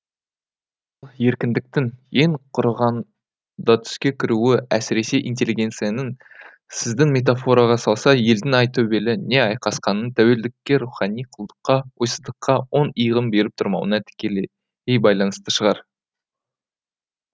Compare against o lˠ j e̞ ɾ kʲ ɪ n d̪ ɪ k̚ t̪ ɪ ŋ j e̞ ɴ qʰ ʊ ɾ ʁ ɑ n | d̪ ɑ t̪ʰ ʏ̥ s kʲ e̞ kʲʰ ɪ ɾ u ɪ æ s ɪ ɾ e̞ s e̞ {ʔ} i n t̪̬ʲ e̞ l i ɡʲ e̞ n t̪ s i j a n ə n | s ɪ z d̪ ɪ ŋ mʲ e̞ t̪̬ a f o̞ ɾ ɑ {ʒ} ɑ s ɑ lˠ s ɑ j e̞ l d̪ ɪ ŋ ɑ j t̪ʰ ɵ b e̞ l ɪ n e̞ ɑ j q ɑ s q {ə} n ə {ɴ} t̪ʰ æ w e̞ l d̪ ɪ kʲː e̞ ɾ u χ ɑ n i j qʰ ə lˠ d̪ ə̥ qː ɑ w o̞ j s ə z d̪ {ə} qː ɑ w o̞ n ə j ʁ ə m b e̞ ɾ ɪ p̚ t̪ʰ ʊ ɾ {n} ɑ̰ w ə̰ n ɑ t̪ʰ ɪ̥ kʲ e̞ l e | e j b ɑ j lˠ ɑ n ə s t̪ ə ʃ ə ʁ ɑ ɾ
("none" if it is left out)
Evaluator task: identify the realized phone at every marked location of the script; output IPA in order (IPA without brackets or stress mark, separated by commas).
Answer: ʔ, ʁ, ɑ, n, ə, m